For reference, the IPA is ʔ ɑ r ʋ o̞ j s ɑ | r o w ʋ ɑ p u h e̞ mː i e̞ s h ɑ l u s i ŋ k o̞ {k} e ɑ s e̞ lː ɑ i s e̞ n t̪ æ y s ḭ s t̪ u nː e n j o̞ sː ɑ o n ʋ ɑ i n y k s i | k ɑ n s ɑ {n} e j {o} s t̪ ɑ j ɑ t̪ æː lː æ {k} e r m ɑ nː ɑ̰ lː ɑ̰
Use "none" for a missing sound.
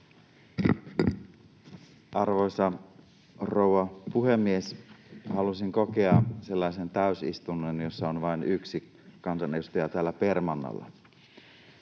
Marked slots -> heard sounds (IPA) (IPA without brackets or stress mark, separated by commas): k, n, u, p